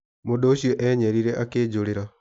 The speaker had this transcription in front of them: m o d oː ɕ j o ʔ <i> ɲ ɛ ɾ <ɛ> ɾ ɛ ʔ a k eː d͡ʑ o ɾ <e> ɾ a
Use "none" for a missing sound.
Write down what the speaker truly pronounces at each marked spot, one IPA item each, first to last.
ɛ, i, e

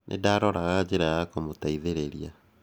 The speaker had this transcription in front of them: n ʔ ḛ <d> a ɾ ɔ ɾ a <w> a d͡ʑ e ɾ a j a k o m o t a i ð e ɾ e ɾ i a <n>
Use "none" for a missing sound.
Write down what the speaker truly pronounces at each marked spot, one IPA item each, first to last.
d, ɣ, none

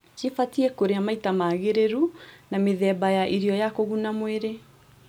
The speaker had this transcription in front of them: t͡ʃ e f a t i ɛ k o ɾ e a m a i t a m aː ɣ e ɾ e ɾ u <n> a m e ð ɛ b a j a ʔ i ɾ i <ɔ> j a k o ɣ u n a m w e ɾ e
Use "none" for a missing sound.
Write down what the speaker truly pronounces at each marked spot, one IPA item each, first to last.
n, ɔ

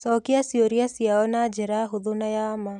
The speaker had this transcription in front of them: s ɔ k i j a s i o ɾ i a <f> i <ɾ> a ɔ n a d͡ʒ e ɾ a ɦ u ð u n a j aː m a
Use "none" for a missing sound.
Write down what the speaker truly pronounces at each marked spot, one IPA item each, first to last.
s, none

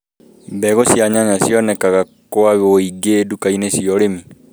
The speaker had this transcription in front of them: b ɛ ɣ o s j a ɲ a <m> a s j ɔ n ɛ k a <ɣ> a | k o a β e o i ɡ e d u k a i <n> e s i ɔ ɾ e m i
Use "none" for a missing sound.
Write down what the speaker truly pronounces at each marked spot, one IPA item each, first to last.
ɲ, ɣ, n

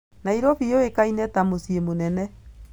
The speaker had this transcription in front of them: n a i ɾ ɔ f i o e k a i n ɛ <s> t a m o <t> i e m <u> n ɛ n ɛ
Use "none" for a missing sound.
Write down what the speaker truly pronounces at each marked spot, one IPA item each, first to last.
none, s, o

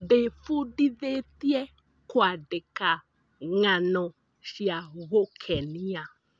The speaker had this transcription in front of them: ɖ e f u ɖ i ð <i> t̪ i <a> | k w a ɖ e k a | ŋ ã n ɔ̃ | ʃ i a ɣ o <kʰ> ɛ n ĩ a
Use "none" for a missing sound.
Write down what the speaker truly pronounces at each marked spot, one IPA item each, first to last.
e, ɛ, kʰ

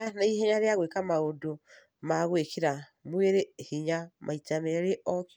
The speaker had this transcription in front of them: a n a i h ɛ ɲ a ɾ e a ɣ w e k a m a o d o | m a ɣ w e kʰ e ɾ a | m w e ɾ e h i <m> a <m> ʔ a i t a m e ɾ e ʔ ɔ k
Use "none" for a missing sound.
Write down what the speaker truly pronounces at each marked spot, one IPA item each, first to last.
ɲ, m

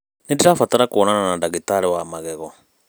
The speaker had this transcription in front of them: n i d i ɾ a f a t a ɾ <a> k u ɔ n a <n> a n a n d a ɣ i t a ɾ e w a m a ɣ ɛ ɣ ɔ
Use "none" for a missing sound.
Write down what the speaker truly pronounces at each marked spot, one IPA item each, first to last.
a, n

